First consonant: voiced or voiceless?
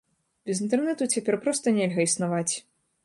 voiced